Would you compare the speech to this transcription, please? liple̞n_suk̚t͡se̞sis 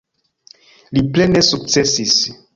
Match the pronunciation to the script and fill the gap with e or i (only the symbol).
e